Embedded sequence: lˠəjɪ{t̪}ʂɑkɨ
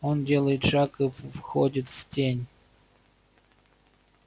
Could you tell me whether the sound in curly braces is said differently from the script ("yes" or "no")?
no